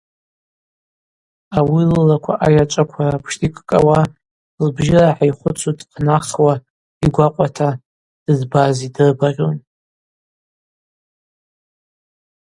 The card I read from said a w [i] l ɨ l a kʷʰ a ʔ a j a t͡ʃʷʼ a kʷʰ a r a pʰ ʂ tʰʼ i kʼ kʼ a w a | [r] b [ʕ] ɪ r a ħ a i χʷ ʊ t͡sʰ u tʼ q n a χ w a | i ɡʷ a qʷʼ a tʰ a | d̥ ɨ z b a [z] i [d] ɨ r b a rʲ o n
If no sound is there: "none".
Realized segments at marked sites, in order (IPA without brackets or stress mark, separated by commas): i, l, ʒ, z, d